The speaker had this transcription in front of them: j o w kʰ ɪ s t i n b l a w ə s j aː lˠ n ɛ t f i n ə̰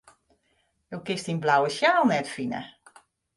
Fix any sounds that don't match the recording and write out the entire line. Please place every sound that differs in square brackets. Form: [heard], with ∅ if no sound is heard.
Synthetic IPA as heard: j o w [k] ɪ s t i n b l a w ə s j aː lˠ n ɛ t f i n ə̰